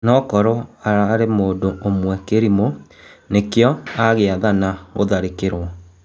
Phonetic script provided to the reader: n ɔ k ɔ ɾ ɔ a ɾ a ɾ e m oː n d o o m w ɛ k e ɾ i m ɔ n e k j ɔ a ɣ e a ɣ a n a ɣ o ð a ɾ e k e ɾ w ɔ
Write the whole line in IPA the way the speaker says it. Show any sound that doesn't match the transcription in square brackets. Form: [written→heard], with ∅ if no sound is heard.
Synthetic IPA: n ɔ k ɔ ɾ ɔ a ɾ a ɾ e m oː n d o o m w ɛ k e ɾ i m [ɔ→o] n e k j ɔ a ɣ e a [ɣ→ð] a n a ɣ o ð a ɾ e k e ɾ w ɔ